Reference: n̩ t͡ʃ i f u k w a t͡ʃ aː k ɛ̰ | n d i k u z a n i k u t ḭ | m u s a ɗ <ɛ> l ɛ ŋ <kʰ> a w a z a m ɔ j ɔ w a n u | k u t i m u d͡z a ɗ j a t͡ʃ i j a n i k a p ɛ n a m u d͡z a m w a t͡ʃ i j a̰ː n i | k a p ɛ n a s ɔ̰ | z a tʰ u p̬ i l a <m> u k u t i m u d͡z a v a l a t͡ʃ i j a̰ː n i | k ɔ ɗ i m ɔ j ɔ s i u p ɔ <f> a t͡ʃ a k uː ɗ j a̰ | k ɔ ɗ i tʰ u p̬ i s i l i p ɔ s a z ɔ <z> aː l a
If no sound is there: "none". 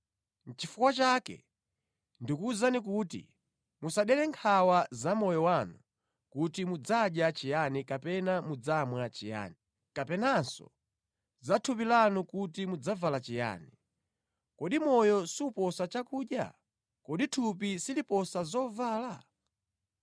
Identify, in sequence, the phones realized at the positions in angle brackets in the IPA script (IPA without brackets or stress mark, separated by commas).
ɛ, kʰ, n, s, v